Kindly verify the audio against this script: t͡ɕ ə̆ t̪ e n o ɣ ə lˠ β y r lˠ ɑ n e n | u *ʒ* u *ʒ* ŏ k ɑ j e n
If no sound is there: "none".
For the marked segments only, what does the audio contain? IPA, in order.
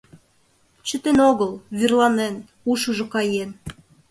ʃ, ʒ

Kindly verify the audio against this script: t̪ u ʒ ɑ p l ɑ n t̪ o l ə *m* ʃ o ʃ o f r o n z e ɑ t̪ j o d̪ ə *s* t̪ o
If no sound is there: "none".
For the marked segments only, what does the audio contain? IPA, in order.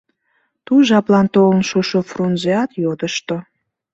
n, ʃ

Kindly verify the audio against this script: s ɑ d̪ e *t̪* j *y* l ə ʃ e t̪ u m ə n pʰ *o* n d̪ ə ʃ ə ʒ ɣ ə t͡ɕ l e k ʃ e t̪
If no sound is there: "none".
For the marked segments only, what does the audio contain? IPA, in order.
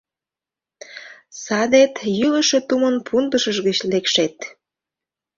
t̪, y, u

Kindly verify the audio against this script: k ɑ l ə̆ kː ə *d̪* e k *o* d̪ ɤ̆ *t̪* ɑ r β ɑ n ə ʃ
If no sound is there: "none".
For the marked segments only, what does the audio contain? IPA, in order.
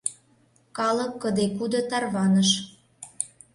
d̪, u, t̪

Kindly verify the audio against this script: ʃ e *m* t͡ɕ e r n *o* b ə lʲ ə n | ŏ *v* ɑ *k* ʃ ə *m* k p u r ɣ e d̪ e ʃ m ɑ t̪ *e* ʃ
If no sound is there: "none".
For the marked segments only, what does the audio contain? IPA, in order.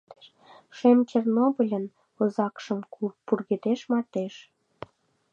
m, o, z, k, m, e

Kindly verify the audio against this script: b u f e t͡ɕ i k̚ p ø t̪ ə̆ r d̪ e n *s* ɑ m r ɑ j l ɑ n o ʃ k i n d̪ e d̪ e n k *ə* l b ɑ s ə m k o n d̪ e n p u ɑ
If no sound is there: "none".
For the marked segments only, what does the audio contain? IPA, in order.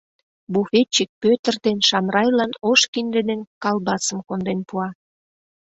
ʃ, ɑ

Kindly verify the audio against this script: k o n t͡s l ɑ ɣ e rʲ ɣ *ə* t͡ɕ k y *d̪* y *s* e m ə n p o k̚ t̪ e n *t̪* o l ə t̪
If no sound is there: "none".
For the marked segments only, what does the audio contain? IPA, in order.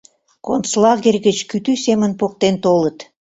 ə, t̪, s, t̪

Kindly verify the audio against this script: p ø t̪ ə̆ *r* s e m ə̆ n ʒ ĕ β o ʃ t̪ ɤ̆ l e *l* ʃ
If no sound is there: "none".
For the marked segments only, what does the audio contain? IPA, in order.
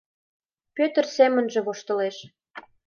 r, none

